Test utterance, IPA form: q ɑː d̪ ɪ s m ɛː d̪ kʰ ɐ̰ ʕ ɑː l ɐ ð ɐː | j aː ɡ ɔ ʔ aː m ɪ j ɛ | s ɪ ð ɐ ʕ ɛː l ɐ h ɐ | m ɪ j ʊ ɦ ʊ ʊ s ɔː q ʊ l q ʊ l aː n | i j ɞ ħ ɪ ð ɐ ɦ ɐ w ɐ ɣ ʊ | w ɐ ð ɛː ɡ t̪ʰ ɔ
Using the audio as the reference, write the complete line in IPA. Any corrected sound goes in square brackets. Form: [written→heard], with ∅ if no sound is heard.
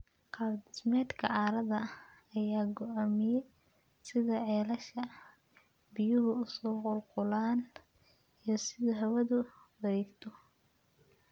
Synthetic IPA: q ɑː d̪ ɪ s m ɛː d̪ kʰ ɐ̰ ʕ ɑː [l→ɾ] ɐ ð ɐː | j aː ɡ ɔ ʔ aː m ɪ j ɛ | s ɪ ð ɐ ʕ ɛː l ɐ [h→ʃ] ɐ | [m→b] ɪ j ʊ ɦ ʊ ʊ s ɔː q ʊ l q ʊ l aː n | i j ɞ [ħ→s] ɪ ð ɐ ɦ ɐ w ɐ [ɣ→ð] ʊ | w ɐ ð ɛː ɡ t̪ʰ ɔ